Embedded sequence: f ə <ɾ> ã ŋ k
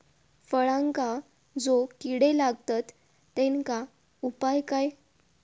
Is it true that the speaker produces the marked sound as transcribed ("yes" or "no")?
no